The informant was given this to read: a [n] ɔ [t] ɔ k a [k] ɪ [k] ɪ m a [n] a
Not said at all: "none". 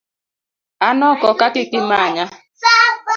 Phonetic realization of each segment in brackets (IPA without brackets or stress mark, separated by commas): n, k, k, k, ɲ